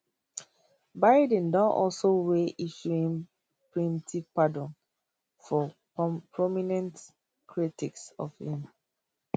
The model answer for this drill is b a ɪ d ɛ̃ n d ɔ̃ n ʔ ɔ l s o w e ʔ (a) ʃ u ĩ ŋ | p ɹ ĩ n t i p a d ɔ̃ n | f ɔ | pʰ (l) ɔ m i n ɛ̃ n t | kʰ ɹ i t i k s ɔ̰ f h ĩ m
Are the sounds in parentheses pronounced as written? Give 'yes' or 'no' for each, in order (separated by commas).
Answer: no, no